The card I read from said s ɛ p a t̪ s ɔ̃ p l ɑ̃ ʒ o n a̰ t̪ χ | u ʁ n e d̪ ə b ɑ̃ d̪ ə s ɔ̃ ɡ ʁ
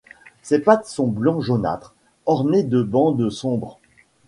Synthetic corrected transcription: s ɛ p a t̪ s ɔ̃ b l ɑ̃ ʒ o n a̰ t̪ χ | ɔ ʁ n e d̪ ə b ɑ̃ d̪ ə s ɔ̃ b ʁ